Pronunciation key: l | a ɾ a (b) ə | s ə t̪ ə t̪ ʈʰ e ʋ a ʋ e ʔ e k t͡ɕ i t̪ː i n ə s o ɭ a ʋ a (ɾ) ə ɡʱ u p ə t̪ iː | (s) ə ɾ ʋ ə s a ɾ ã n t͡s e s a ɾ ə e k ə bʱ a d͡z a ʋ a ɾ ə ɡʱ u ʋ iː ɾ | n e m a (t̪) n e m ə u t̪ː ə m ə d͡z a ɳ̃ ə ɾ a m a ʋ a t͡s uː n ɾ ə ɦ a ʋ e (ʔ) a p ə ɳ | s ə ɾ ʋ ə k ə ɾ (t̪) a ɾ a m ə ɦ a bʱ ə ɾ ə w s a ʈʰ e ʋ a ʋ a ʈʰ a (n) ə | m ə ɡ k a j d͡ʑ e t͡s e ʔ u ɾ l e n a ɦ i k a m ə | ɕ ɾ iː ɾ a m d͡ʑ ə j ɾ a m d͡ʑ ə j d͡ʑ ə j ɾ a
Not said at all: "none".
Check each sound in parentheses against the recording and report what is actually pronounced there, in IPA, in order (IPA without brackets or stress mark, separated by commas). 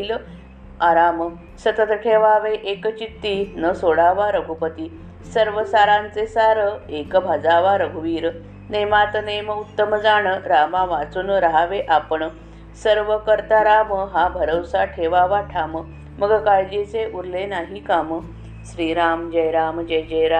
m, ɾ, s, t̪, ʔ, t̪, m